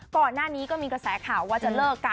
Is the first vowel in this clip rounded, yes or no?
yes